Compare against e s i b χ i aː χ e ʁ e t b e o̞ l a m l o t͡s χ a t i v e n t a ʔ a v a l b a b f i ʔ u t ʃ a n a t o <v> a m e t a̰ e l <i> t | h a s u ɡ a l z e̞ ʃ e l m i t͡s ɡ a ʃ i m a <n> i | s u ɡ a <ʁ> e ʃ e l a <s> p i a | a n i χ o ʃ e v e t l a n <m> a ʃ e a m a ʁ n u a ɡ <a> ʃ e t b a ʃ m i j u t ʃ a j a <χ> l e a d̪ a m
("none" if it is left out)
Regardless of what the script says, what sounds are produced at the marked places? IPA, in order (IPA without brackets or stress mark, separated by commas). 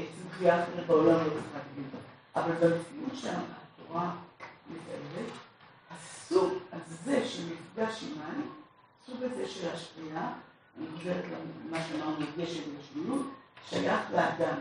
ʁ, e, n, z, ʃ, m, e, χ